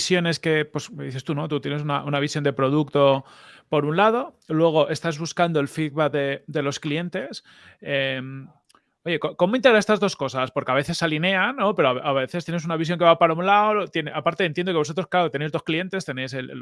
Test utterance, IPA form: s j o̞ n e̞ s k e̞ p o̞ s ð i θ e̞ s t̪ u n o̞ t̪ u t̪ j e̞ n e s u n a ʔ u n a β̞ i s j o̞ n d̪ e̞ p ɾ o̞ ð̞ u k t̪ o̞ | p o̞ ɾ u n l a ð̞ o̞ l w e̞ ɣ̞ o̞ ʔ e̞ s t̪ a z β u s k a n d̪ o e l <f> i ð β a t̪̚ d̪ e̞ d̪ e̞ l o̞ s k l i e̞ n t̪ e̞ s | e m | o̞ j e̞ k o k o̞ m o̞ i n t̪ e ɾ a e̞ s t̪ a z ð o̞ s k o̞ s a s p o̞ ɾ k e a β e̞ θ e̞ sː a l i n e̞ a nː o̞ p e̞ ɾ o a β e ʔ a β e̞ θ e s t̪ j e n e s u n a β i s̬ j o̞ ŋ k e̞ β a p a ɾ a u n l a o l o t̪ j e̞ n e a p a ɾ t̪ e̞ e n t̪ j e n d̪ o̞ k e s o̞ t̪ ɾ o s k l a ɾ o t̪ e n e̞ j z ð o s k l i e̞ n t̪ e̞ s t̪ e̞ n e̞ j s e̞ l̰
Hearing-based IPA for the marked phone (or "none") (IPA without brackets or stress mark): f